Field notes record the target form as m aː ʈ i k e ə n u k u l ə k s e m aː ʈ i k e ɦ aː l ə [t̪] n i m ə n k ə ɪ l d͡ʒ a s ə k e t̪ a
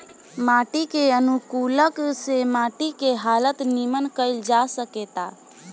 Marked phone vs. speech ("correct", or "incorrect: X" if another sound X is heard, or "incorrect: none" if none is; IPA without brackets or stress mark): correct